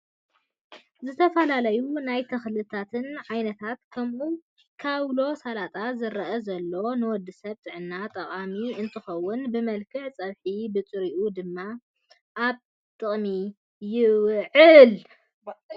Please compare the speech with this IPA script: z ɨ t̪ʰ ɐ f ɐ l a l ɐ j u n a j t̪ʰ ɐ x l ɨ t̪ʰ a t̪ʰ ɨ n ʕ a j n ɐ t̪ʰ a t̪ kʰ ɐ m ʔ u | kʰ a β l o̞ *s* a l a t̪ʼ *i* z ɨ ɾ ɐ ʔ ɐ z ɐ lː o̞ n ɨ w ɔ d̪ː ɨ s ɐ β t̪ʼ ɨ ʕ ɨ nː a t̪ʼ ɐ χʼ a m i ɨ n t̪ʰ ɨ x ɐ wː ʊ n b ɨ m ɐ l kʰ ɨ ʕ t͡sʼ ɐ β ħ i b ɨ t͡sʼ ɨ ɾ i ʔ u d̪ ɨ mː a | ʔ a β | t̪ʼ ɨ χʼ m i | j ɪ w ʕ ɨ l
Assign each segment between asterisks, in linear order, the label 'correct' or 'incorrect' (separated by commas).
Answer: correct, incorrect